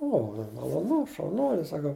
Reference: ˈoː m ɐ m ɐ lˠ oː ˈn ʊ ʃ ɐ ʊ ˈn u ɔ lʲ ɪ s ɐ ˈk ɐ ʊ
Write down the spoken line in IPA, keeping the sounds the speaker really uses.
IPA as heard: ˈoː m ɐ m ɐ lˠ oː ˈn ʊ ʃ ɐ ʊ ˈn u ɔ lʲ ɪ s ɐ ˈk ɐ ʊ